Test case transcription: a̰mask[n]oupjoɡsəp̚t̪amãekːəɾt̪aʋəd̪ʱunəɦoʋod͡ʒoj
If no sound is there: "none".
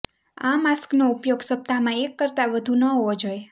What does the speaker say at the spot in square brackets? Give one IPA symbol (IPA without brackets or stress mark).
n